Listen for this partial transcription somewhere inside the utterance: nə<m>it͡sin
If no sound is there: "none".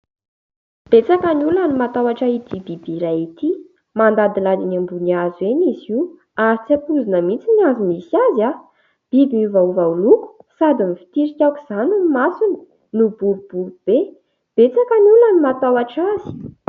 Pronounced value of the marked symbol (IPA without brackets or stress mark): m